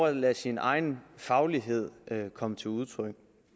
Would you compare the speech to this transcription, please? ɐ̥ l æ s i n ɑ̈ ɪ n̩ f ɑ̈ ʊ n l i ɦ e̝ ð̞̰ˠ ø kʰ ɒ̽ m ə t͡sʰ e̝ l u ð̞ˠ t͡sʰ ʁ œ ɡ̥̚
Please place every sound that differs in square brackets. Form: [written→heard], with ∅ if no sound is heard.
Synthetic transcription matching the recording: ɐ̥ l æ s i n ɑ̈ ɪ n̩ f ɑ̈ ʊ [n→∅] l i ɦ e̝ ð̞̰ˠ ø kʰ ɒ̽ m ə t͡sʰ e̝ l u ð̞ˠ t͡sʰ ʁ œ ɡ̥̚